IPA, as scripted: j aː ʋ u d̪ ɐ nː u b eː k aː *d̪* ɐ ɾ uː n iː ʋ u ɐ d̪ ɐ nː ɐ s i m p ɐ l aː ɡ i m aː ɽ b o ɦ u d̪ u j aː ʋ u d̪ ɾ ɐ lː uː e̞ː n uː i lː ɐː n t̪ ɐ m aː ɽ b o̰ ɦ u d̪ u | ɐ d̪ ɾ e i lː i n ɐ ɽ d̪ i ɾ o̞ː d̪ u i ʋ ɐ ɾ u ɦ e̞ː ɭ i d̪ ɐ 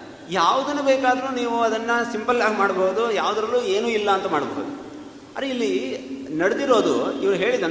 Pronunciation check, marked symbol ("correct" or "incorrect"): correct